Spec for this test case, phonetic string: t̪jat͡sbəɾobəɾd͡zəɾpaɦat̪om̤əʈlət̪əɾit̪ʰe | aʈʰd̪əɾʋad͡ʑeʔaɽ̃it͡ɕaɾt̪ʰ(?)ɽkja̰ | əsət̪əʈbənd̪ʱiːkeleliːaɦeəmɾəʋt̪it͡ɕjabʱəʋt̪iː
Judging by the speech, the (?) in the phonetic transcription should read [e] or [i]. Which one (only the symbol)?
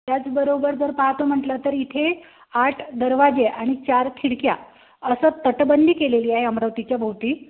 i